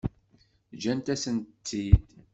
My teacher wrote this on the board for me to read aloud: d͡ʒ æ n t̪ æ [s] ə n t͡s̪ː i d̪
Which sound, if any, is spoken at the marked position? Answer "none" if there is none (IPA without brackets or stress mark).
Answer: s